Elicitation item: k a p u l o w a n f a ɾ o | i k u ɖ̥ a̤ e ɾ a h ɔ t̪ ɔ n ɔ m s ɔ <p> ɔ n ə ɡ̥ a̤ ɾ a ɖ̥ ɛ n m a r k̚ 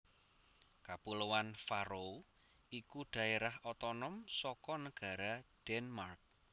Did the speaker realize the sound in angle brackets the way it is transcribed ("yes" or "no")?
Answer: no